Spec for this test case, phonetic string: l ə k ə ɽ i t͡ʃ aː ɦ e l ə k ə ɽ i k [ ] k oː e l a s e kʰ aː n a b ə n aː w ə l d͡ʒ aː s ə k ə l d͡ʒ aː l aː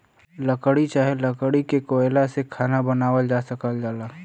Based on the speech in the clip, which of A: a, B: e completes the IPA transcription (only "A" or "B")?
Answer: B